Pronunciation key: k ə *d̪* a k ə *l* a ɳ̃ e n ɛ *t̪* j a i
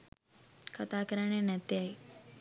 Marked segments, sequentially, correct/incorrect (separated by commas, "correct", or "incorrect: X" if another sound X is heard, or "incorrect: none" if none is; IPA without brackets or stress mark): incorrect: t̪, incorrect: ɾ, correct